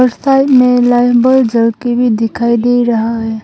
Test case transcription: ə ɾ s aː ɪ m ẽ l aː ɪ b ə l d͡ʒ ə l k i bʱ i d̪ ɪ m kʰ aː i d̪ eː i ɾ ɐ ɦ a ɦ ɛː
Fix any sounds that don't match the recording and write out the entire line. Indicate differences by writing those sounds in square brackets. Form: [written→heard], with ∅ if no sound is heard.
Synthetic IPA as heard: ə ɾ s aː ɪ m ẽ l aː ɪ b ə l d͡ʒ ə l k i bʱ i d̪ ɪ [m→∅] kʰ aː i d̪ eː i ɾ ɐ ɦ a ɦ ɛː

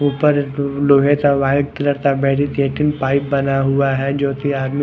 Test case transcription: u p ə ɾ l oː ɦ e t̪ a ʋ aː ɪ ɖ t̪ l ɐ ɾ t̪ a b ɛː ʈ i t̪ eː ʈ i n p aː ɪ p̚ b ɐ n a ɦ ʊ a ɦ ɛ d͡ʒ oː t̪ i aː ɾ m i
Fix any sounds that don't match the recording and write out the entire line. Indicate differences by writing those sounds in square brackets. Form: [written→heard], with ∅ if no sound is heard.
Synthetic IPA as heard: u p ə ɾ l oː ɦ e t̪ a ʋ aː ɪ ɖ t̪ l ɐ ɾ t̪ a b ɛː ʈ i t̪ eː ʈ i n p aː ɪ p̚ b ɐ n a ɦ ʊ a ɦ ɛ d͡ʒ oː t̪ i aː ɾ m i

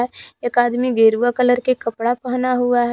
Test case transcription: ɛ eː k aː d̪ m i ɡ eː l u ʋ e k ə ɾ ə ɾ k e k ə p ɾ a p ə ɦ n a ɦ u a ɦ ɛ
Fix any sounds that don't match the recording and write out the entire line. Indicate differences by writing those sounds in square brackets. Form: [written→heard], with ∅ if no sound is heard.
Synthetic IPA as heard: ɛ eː k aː d̪ m i ɡ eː [l→ɾ] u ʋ [e→a] k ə [ɾ→l] ə ɾ k e k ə p [ɾ→ɽ] a p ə ɦ n a ɦ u a ɦ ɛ

